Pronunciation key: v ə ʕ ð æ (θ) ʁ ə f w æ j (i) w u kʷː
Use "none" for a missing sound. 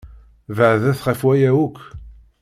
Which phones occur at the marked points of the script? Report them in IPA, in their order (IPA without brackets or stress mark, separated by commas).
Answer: θ, æ